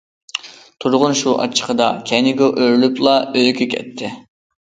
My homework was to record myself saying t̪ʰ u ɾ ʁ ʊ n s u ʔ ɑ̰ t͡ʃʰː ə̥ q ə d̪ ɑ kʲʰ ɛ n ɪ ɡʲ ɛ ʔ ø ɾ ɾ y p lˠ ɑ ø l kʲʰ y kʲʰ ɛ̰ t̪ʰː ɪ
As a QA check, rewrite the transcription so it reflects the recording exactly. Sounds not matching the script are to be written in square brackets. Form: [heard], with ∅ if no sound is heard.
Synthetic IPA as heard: t̪ʰ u ɾ ʁ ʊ n [ʃ] u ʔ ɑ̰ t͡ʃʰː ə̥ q ə d̪ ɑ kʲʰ ɛ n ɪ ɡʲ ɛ ʔ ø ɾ [l] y p lˠ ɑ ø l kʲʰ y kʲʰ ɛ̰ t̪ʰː ɪ